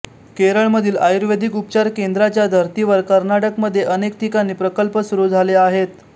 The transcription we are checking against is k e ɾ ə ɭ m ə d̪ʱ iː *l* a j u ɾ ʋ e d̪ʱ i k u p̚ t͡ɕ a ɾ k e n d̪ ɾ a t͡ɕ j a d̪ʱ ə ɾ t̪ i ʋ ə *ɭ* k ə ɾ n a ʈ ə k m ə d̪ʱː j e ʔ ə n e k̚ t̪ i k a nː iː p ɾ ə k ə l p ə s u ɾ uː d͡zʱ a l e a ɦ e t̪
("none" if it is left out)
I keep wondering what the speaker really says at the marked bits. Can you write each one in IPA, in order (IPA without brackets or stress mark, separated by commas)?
l, ɾ